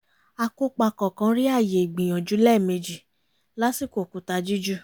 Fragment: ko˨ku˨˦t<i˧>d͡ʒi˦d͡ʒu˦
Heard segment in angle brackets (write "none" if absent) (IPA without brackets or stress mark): a˧